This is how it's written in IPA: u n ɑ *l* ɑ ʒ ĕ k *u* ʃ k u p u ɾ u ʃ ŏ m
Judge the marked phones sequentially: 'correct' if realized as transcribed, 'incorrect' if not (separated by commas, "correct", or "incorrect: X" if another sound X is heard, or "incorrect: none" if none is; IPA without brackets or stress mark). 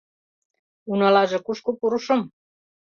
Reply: correct, correct